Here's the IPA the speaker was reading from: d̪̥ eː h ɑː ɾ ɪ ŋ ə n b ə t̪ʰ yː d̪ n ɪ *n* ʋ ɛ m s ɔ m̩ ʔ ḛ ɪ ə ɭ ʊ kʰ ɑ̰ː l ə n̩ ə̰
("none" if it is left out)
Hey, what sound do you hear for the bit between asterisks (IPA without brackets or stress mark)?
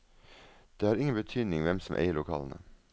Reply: ŋ